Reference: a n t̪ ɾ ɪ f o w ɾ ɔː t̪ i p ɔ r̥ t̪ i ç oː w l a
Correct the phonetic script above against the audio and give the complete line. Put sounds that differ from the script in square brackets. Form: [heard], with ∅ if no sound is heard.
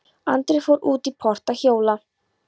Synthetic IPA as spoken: a n t̪ ɾ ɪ f o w ɾ [uː] t̪ i [pʰ] ɔ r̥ t̪ [a] ç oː w l a